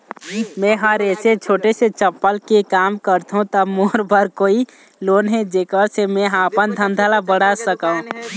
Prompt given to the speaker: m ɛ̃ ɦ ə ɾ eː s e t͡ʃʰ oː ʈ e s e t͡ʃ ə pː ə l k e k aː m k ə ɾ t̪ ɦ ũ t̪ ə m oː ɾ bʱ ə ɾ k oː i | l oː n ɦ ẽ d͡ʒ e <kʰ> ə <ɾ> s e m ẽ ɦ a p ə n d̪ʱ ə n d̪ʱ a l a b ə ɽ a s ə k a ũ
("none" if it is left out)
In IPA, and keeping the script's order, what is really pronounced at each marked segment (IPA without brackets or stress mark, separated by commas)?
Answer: k, ɾ